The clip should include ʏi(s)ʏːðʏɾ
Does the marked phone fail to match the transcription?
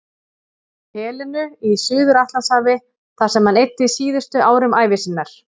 no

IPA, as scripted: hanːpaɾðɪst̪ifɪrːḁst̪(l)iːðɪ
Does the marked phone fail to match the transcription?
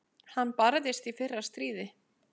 yes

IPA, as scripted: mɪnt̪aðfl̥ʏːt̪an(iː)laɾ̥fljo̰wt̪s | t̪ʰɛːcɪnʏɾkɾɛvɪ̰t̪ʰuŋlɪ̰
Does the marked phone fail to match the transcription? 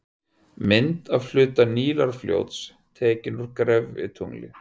no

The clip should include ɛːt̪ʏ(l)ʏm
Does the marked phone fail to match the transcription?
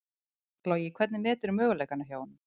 yes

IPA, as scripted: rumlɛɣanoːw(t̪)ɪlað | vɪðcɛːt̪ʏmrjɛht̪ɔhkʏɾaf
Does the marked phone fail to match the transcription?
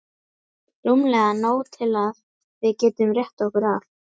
yes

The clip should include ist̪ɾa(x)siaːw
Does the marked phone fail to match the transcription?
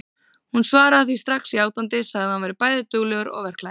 no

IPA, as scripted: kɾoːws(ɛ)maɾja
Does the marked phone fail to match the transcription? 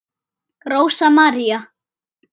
yes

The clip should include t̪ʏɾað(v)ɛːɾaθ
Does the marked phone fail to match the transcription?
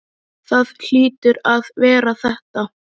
no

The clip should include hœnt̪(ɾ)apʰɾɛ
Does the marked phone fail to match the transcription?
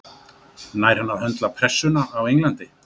yes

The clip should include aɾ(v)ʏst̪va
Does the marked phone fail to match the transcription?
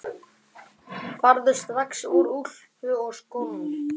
yes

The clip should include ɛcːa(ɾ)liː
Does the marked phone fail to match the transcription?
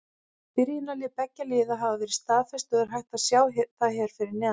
yes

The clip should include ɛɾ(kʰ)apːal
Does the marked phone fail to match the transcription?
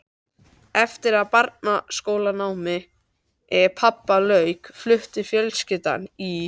yes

